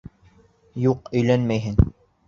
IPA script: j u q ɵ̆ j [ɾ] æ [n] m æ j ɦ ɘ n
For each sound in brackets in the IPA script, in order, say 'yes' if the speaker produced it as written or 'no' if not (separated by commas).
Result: no, yes